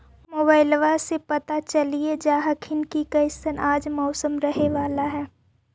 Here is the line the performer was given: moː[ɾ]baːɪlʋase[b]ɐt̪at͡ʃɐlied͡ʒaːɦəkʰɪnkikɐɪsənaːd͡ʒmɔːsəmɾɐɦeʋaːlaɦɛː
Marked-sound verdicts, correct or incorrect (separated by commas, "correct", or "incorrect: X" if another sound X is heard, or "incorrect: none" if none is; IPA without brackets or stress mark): incorrect: none, incorrect: p